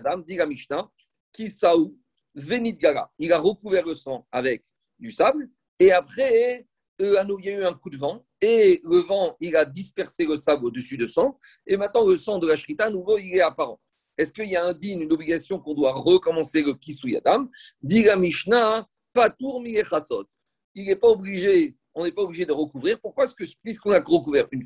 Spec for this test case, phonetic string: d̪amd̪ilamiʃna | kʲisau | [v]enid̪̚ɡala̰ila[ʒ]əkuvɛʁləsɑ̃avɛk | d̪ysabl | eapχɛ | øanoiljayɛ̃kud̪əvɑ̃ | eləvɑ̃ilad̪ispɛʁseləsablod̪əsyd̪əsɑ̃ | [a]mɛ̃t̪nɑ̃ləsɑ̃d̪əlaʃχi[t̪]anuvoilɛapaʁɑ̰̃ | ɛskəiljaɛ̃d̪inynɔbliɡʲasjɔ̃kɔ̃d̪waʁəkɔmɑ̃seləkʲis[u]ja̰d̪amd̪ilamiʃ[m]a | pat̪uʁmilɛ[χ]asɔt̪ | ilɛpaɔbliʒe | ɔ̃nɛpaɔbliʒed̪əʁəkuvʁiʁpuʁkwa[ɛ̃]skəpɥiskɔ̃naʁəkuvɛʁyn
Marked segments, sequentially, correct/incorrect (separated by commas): correct, incorrect, incorrect, correct, correct, incorrect, correct, incorrect